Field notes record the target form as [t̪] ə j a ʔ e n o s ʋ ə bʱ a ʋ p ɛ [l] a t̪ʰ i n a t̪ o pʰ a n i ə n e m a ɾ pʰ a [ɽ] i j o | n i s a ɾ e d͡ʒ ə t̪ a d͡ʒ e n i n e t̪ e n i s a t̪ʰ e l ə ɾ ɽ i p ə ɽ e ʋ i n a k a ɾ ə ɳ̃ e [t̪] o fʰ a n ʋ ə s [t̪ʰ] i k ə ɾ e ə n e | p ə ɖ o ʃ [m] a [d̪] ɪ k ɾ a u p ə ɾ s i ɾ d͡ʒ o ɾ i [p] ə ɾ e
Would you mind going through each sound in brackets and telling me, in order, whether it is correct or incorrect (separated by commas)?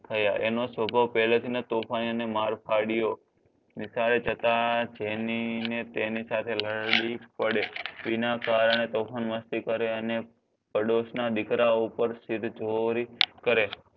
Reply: incorrect, correct, correct, correct, incorrect, incorrect, correct, incorrect